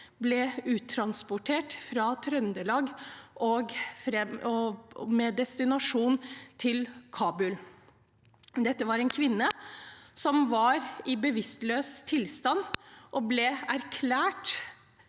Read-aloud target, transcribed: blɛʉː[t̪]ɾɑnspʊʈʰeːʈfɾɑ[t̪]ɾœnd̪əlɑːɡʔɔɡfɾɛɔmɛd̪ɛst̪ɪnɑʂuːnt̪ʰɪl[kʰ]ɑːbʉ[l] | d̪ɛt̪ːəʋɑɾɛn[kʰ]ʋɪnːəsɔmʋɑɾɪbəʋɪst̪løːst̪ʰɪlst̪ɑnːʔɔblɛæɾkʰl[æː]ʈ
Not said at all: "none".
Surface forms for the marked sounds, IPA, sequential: t̪ʰ, t̪ʰ, kʰ, l, kʰ, æː

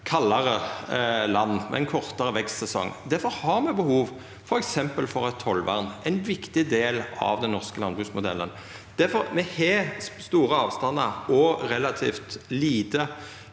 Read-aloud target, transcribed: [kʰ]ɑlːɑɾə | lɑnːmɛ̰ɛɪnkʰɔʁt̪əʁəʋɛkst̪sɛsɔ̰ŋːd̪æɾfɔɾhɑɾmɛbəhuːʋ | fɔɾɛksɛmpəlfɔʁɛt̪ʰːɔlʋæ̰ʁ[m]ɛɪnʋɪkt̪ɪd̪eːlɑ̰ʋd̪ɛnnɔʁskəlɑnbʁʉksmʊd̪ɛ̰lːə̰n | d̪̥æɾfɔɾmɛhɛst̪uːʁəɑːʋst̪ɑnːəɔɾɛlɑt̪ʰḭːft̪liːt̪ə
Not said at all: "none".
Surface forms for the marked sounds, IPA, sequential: kʰ, n

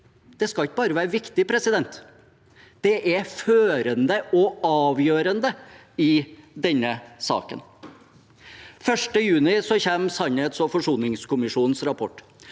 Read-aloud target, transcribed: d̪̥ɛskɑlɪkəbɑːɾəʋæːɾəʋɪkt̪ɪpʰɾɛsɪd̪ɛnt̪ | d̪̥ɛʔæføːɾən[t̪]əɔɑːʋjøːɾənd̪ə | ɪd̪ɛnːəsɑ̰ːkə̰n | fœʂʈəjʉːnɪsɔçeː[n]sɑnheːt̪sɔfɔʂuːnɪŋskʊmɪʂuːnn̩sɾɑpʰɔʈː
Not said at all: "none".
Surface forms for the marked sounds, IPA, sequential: d̪, m

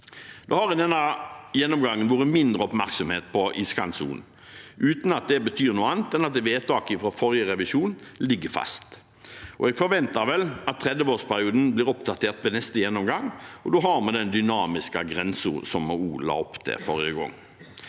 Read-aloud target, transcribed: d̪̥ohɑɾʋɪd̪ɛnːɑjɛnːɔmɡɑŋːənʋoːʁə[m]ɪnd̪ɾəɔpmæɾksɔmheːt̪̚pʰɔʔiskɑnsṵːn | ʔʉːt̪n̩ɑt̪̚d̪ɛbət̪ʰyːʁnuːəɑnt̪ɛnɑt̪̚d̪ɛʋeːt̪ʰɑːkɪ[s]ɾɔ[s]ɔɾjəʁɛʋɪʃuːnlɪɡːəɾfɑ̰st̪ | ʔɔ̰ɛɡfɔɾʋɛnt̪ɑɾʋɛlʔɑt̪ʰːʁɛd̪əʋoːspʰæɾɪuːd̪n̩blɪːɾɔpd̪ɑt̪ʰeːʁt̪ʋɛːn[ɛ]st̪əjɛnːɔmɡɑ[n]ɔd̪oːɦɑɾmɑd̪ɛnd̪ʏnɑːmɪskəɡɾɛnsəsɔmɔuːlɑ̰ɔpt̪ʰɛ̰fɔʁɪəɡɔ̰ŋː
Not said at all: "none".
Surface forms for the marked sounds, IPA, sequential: m, f, f, ɛ, ŋ

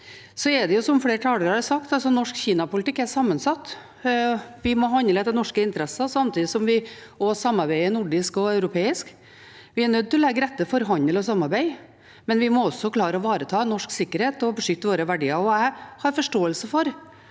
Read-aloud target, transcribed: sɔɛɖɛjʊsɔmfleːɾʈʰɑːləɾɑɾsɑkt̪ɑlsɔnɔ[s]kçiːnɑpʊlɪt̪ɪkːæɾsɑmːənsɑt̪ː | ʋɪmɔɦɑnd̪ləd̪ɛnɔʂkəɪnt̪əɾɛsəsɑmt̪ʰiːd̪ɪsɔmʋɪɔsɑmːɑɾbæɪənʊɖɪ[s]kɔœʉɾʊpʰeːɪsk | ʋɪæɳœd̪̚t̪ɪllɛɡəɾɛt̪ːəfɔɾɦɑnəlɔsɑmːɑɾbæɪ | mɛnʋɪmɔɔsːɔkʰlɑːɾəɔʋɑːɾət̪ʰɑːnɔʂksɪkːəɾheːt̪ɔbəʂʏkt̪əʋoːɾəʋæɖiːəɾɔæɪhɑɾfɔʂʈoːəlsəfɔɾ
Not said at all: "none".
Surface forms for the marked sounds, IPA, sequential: ʂ, s

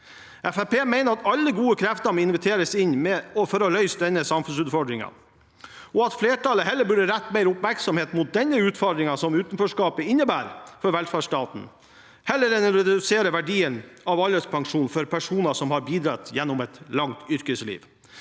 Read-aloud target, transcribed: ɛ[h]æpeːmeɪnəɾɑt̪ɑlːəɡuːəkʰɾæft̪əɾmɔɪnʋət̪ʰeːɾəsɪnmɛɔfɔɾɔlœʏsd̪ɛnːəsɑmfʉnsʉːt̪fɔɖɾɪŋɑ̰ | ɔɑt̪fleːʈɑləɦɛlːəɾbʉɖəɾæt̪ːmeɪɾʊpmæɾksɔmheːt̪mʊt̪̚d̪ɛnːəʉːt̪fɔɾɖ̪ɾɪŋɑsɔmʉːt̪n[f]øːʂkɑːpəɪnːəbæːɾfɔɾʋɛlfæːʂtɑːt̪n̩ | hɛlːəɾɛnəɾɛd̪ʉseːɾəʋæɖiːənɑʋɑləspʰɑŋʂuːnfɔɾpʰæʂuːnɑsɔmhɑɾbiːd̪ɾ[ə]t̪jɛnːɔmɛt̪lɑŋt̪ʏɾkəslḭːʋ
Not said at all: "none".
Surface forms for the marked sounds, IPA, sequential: f, f, ɑ

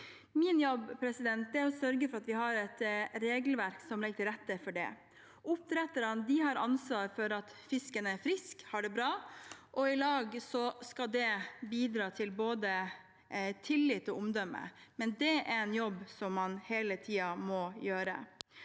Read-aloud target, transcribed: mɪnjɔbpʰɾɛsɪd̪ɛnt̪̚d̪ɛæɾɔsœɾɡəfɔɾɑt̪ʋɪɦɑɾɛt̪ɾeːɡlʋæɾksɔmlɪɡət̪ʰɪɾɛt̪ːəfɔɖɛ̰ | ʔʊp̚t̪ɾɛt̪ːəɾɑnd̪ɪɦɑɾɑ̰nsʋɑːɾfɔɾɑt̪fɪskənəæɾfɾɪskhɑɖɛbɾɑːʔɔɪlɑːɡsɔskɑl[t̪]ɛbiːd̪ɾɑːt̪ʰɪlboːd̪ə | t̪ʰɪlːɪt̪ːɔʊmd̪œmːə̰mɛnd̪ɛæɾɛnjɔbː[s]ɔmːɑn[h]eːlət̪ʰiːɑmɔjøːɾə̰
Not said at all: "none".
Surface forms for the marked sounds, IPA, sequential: d̪, s, h

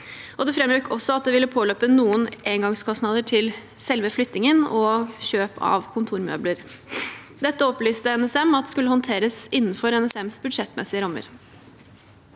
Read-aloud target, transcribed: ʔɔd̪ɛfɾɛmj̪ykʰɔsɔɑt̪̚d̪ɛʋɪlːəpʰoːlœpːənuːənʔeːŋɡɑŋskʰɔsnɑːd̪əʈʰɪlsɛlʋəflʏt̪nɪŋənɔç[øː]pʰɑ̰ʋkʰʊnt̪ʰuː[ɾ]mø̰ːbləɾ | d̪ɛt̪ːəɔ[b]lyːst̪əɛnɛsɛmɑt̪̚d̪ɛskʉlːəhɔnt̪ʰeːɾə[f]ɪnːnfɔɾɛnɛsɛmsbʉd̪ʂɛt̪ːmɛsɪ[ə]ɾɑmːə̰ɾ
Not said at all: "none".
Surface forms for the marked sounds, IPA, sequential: øː, ɾ, p, s, ə

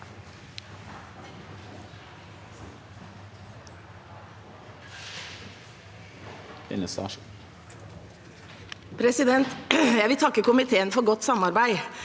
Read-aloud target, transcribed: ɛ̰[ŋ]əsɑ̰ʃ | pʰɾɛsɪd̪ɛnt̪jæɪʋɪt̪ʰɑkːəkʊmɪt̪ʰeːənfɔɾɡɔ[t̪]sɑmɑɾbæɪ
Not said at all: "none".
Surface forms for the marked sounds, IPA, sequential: n, t̪

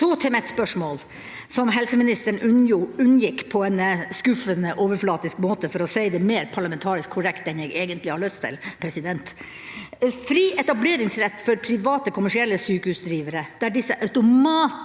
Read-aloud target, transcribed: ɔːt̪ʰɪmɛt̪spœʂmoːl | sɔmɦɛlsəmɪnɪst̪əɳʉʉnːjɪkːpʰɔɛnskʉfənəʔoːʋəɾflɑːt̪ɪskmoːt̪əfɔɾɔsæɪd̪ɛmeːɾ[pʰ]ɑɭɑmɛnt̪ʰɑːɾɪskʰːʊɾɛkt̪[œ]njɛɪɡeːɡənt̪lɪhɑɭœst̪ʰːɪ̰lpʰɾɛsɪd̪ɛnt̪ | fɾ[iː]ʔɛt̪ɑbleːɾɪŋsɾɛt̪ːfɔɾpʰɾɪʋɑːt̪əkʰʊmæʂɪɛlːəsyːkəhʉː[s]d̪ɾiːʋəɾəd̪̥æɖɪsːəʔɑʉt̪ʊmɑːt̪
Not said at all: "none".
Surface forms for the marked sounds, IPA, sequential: pʰ, ɛ, iː, s

